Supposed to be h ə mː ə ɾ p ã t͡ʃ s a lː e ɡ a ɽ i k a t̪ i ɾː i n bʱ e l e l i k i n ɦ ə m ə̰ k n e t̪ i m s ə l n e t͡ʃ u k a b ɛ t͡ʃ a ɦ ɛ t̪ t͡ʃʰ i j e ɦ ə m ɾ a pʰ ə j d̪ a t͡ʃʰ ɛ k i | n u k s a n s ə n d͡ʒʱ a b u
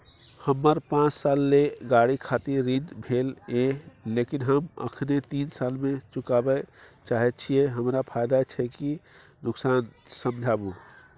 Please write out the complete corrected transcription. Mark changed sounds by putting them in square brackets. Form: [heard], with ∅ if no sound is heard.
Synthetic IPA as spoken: h ə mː ə ɾ p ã t͡ʃ s a lː e ɡ a ɽ i [kʰ] a t̪ i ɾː i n bʱ e l e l [e] k i n ɦ ə m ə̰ [kʰ] n e t̪ i [n] s [a] l [m] e t͡ʃ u k a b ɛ t͡ʃ a ɦ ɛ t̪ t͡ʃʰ i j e ɦ ə m ɾ a pʰ [a] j d̪ a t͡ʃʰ ɛ k i | n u k s a n s ə [m] d͡ʒʱ a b u